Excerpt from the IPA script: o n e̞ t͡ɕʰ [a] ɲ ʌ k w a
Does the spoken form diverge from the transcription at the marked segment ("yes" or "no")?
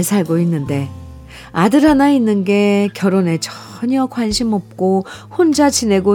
yes